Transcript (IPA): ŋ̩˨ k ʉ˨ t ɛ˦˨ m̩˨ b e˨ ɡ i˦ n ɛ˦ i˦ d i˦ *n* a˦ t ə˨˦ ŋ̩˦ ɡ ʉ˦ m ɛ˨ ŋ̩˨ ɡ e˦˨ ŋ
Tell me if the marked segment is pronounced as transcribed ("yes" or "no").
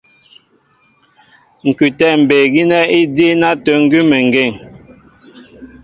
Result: yes